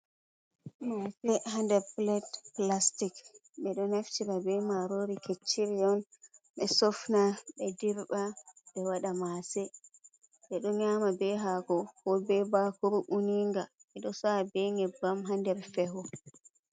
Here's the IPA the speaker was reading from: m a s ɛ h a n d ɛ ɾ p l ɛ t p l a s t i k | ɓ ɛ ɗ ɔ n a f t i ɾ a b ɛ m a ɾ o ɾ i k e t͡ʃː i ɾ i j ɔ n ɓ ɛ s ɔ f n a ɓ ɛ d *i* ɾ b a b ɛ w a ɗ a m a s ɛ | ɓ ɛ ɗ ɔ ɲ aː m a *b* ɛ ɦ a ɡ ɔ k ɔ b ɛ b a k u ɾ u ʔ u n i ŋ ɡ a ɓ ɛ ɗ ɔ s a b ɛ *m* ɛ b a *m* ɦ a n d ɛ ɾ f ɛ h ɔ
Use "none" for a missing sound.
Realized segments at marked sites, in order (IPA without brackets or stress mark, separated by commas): i, b, ŋ, m